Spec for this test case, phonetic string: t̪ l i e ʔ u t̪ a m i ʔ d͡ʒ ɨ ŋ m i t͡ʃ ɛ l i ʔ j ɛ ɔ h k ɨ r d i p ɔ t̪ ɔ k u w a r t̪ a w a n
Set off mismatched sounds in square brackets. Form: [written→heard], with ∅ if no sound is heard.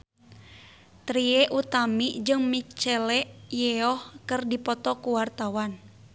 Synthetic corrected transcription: t̪ [l→ɾ] i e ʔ u t̪ a m i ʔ d͡ʒ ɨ ŋ m i t͡ʃ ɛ l [i→ɛ] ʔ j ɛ ɔ h k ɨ r d i p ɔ t̪ ɔ k u w a r t̪ a w a n